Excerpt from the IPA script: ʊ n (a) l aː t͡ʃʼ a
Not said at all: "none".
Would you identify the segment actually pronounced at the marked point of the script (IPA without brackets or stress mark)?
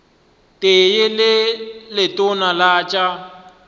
a